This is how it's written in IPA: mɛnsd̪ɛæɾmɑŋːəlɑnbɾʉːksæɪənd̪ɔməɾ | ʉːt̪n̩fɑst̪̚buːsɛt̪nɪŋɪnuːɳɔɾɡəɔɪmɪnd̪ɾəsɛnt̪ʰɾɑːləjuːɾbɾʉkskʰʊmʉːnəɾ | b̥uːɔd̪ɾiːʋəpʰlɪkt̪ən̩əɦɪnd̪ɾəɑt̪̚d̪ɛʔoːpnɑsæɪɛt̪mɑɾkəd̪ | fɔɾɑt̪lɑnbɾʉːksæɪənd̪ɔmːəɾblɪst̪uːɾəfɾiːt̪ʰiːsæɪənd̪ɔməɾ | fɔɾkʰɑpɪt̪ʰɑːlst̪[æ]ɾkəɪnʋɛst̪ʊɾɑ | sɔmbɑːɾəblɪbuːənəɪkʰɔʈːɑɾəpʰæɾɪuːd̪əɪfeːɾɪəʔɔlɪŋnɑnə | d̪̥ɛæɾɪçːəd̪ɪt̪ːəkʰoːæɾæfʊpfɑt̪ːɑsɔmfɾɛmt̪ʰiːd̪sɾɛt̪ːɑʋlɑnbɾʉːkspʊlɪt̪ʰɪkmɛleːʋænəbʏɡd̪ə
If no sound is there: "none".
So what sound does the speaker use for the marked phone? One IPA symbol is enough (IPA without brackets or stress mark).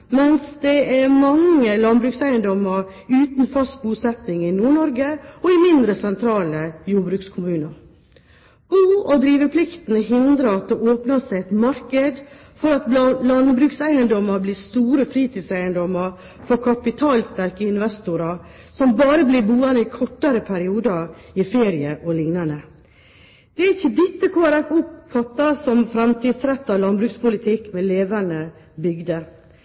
æ